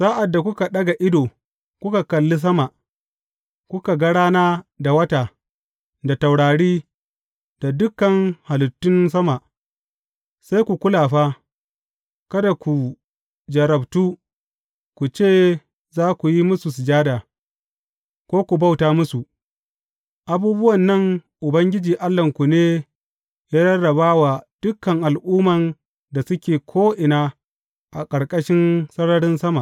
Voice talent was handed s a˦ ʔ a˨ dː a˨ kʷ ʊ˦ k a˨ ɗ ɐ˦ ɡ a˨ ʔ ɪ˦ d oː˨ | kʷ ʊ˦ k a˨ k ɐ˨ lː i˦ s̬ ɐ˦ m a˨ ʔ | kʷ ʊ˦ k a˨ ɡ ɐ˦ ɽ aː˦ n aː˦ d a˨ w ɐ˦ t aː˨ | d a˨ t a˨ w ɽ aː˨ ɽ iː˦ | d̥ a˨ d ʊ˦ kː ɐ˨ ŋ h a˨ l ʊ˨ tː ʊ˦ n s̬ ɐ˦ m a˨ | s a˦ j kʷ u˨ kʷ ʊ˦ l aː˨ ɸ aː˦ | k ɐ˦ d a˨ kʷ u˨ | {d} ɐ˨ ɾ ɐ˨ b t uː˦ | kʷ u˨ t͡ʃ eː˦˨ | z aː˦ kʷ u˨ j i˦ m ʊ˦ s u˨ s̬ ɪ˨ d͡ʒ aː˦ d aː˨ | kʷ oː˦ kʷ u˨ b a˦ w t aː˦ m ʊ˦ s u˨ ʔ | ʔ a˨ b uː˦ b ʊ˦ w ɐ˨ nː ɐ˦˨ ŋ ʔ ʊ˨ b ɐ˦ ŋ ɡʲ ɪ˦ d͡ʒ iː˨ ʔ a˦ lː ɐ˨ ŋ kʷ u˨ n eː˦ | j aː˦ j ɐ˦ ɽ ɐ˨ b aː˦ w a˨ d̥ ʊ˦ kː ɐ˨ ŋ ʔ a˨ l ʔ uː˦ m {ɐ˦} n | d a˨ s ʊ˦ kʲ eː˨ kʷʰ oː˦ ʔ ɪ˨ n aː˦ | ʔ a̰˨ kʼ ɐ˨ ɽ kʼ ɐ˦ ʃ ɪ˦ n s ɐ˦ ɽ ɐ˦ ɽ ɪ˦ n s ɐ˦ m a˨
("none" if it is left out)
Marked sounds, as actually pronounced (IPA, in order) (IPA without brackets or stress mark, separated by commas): d͡ʒ, ɐ˨